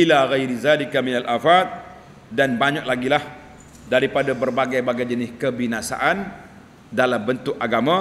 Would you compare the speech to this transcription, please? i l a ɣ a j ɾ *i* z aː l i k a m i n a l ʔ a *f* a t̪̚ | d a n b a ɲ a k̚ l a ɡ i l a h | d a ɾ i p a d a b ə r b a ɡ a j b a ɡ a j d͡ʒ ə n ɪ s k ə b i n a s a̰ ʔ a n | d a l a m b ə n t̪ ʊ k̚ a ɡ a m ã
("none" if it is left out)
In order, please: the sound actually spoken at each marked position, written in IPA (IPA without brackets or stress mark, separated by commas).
i, f